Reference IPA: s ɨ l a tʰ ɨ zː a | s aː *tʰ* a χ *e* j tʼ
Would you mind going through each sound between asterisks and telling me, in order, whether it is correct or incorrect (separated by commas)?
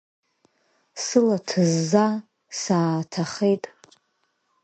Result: correct, correct